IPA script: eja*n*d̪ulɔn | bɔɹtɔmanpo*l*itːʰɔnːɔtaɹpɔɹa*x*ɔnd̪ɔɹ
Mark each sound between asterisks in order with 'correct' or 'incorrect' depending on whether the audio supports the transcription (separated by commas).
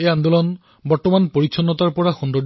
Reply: correct, incorrect, correct